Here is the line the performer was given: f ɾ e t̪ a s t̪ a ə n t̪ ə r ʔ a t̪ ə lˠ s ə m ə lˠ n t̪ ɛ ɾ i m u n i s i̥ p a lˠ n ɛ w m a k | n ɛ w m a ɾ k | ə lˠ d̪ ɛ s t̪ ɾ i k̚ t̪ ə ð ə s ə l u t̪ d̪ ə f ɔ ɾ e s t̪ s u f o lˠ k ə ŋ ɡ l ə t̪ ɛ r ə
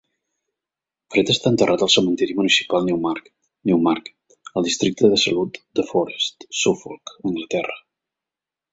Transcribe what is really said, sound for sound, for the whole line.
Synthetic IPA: f ɾ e t̪ ə s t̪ a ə n t̪ ə r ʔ a t̪ ə lˠ s ə m ə n t̪ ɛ ɾ i m u n i s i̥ p a lˠ n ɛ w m a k | n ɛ w m a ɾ k | ə lˠ d̪ i s t̪ ɾ i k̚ t̪ ə ð ə s ə l u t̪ d̪ ə f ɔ ɾ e s t̪ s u f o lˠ k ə ŋ ɡ l ə t̪ ɛ r ə